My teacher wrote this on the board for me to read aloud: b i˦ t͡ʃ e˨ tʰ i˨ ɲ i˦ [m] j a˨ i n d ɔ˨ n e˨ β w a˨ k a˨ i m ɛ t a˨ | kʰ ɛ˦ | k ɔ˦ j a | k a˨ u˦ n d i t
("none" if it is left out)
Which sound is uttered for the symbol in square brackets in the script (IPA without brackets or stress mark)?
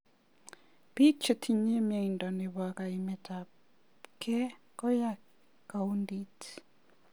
m